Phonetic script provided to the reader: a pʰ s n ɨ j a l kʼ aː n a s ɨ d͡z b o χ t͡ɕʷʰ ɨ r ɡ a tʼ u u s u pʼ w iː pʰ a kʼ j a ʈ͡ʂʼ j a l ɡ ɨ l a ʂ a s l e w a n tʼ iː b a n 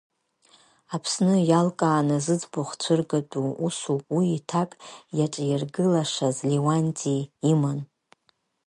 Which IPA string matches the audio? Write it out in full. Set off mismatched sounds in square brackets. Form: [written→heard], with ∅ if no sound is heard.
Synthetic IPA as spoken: a pʰ s n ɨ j a l kʼ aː n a [s→z] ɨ d͡z b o χ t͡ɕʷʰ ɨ r ɡ a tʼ u u s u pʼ w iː [pʰ→tʰ] a kʼ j a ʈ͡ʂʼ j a [l→r] ɡ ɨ l a ʂ a [s→z] l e w a n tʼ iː [b→m] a n